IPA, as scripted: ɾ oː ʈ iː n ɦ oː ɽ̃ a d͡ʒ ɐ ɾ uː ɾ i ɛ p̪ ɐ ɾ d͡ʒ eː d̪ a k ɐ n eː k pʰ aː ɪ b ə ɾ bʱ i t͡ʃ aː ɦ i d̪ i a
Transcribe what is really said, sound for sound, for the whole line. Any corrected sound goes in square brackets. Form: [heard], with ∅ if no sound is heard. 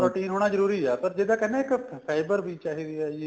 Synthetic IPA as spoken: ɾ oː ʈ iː n ɦ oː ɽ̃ a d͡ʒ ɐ ɾ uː ɾ i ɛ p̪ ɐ ɾ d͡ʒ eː d̪ a k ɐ n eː k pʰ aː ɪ b ə ɾ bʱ i t͡ʃ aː ɦ i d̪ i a